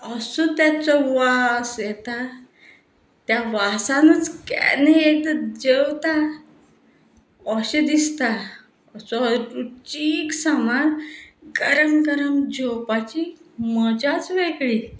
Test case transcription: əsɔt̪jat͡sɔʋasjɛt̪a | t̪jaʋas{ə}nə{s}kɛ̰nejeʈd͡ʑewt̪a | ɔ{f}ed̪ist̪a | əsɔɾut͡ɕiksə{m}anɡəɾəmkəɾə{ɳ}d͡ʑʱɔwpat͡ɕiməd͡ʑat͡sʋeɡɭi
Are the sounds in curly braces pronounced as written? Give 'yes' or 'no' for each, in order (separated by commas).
no, no, no, yes, no